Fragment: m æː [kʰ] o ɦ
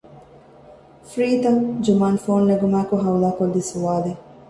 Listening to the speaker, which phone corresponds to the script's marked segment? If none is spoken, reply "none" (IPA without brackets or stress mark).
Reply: k